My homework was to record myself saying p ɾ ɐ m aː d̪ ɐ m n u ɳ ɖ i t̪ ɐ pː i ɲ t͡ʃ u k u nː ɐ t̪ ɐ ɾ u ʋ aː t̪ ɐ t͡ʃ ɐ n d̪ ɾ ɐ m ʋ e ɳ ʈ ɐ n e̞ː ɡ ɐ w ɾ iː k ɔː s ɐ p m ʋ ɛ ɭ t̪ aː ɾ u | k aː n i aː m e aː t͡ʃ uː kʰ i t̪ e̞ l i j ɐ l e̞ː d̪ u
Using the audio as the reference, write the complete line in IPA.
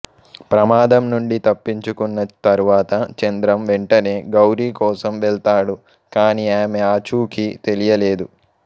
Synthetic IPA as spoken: p ɾ ɐ m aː d̪ ɐ m n u ɳ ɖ i t̪ ɐ pː i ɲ t͡ʃ u k u nː ɐ t̪ ɐ ɾ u ʋ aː t̪ ɐ t͡ʃ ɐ n d̪ ɾ ɐ m ʋ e ɳ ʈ ɐ n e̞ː ɡ ɐ w ɾ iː k ɔː s ɐ m ʋ ɛ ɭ t̪ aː ɽ u | k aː n i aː m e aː t͡ʃ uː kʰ i t̪ e̞ l i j ɐ l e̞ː d̪ u